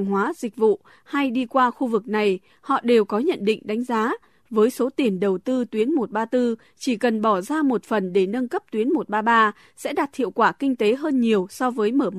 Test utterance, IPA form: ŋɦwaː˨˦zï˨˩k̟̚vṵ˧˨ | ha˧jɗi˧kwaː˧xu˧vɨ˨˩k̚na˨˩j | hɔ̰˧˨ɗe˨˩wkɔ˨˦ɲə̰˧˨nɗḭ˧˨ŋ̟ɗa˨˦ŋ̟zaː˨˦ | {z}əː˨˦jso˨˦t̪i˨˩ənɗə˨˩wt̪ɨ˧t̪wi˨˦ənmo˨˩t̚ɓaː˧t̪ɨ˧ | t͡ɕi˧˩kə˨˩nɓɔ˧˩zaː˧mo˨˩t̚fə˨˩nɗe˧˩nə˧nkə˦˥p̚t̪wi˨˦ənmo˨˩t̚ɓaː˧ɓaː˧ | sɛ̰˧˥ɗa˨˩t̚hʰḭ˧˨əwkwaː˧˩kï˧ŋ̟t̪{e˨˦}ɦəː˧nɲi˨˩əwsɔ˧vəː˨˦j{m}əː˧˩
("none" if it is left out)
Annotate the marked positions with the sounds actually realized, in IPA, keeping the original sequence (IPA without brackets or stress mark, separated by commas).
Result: v, e˨˦, m